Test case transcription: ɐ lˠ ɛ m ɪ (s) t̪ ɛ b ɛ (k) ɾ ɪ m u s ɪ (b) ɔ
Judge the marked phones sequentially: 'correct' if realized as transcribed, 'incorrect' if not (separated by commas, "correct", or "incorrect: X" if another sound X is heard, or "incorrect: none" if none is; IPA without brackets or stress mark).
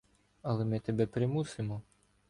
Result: incorrect: none, incorrect: p, incorrect: m